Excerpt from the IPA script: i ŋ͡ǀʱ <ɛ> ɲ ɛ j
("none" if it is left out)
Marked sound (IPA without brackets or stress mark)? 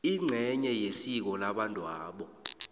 ɛ